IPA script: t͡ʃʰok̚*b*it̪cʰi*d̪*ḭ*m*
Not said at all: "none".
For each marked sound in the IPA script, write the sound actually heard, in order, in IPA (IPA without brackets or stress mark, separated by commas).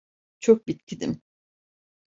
b, d̪, m